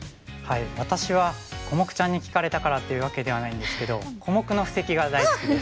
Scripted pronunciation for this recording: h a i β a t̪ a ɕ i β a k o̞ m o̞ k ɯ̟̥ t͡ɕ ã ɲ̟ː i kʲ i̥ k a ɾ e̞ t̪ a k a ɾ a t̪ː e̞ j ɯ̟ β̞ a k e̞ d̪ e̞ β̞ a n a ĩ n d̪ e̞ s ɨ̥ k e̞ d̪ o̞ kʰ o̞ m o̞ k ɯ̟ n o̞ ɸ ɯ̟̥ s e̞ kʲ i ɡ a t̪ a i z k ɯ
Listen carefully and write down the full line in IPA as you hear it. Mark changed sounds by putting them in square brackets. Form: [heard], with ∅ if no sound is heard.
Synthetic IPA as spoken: h a i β a t̪ a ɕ i β a k o̞ m o̞ k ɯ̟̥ t͡ɕ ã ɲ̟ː i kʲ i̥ k a ɾ e̞ t̪ a k a ɾ a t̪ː e̞ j ɯ̟ β̞ a k e̞ d̪ e̞ β̞ a n a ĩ n d̪ e̞ s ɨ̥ k e̞ d̪ o̞ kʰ o̞ m o̞ k ɯ̟ n o̞ ɸ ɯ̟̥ s e̞ kʲ i ɡ a [d̪] a i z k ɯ